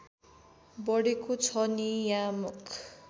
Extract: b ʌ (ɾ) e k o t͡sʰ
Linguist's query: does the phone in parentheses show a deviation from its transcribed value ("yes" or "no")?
yes